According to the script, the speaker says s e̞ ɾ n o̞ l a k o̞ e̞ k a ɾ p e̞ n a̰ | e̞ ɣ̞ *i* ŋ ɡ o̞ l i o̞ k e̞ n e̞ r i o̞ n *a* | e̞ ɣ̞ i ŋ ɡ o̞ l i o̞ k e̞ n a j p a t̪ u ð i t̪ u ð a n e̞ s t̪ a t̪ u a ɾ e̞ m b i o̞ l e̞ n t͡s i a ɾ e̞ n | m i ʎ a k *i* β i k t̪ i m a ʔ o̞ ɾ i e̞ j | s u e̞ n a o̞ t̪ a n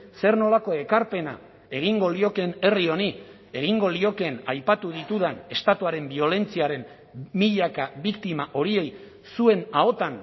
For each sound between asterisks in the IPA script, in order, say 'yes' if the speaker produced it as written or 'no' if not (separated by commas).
yes, no, no